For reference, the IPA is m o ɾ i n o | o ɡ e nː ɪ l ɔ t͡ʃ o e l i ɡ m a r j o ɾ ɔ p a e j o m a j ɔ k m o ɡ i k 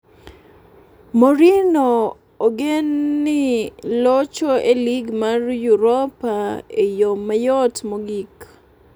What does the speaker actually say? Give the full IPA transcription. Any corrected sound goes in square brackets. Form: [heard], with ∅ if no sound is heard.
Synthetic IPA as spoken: m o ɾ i n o | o ɡ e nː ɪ l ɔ t͡ʃ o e l i ɡ m a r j [u] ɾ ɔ p a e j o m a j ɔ [t] m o ɡ i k